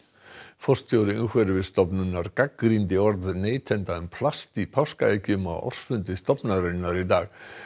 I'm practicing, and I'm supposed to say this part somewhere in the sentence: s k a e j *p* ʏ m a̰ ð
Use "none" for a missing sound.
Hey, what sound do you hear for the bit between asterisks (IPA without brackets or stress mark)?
c